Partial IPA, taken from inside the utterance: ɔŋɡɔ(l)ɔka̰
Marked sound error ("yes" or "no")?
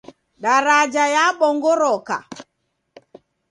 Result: yes